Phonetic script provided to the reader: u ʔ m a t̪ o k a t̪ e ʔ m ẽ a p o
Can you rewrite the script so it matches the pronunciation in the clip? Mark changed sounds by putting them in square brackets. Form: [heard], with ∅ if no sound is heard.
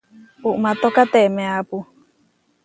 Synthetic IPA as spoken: u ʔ m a t̪ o k a t̪ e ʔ m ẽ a p [u]